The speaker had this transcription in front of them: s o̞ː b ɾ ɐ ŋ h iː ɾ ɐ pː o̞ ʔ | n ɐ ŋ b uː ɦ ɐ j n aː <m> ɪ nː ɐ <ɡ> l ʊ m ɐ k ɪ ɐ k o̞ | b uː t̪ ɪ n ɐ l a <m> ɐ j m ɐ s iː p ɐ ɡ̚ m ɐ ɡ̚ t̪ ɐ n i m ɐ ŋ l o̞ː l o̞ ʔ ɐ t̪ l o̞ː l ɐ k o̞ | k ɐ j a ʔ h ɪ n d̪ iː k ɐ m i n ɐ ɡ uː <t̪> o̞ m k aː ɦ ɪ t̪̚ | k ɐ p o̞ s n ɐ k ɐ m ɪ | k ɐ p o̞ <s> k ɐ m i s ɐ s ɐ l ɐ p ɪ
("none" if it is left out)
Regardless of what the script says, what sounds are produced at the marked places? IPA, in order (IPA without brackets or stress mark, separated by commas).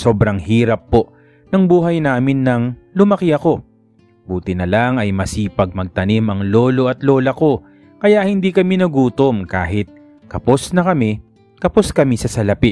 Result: m, ŋ, ŋ, t̪, s